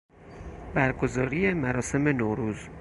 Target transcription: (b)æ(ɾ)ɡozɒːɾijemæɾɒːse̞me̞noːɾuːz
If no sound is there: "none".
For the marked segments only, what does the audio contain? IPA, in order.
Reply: b, ɾ

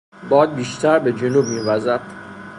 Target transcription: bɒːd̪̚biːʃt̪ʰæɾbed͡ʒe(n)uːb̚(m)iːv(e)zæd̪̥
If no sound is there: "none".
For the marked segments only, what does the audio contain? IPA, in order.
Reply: n, m, æ

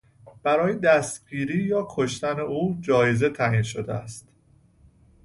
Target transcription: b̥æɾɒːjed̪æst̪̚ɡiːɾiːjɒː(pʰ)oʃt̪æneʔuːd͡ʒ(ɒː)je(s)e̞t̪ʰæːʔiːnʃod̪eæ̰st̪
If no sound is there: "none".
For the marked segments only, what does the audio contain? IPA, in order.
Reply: kʰ, ɒː, z

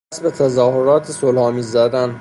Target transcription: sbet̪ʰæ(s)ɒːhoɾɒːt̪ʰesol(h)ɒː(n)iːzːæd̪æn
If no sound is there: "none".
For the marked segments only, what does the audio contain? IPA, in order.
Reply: z, h, m

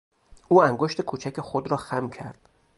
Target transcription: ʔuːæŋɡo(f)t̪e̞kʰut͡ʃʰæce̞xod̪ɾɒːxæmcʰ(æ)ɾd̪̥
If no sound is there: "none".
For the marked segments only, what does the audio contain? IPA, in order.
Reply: ʃ, æ

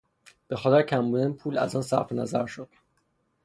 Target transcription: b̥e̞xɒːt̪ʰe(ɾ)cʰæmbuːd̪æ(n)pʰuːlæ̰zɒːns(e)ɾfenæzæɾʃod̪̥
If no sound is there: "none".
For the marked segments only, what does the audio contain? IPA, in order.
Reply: ɾ, n, æ

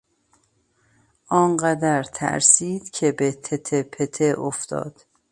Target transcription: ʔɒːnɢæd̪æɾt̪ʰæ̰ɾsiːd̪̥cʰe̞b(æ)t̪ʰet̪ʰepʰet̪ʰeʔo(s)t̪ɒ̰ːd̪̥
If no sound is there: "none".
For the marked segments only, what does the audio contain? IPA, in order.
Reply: e, f

